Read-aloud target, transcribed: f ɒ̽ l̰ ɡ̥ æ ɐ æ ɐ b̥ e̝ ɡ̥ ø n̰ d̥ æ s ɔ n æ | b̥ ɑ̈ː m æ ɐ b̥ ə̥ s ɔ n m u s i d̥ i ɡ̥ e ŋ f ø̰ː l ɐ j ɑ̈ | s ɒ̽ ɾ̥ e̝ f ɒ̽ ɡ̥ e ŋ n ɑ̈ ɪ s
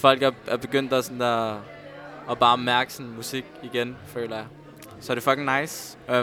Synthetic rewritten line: f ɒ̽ l̰ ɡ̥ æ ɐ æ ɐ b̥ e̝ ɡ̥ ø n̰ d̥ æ s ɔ n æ | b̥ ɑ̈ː m æ ɐ ɡ̥ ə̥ s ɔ n m u s i ɡ̥ i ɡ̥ e n f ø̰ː l ɐ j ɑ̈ | s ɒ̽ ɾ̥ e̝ f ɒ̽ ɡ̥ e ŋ n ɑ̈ ɪ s